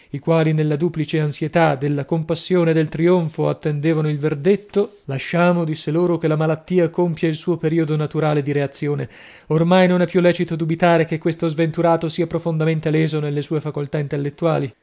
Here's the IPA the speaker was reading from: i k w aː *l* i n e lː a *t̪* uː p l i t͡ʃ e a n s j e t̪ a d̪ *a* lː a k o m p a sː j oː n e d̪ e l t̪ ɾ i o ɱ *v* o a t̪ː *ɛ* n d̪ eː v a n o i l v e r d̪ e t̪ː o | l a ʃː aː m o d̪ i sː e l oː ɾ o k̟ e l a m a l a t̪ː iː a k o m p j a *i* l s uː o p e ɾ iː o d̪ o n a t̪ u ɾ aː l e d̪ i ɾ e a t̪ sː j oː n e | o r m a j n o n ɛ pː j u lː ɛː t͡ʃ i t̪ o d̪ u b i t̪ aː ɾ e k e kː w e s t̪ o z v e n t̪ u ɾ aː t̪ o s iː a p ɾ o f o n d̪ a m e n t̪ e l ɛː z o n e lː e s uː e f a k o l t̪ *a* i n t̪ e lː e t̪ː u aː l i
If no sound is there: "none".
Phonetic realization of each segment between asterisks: l, d̪, e, f, e, i, a

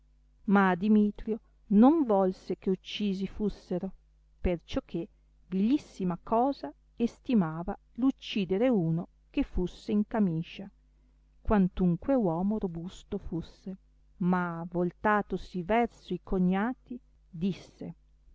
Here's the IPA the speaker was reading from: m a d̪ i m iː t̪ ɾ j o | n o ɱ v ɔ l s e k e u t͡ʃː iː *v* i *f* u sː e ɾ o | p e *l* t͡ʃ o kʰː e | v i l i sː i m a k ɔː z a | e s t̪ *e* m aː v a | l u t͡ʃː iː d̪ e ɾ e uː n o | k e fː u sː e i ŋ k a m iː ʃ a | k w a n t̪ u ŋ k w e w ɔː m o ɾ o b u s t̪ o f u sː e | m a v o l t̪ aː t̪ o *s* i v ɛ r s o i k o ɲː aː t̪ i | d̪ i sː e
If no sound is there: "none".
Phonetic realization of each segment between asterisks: z, f, r, i, s

